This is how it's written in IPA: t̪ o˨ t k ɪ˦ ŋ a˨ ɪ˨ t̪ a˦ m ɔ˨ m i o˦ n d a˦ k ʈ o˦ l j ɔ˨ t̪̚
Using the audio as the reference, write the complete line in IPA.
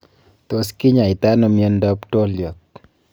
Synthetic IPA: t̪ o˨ s k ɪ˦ ɲ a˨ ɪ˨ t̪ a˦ n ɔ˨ m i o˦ n d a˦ p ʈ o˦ l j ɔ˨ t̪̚